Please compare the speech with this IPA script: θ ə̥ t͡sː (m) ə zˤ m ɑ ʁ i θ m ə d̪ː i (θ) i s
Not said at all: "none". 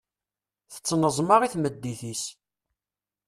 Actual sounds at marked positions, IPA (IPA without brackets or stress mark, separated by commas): n, θ